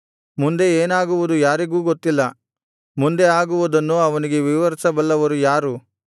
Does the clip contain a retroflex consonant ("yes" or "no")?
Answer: no